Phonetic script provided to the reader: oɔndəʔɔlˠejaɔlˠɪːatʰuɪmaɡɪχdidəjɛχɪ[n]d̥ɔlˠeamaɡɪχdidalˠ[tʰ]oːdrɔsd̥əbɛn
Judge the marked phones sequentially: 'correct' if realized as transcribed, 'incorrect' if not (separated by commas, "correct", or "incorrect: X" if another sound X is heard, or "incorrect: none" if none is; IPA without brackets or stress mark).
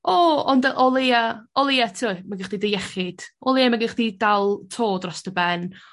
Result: incorrect: none, correct